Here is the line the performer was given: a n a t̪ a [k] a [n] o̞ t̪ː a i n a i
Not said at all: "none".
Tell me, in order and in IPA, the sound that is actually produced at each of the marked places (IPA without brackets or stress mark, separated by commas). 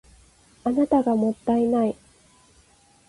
ɡ, m